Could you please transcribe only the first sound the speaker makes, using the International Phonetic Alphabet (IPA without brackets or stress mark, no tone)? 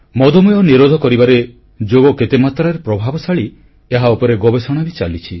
m